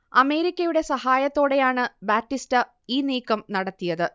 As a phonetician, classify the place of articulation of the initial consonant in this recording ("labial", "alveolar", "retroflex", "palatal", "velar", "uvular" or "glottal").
labial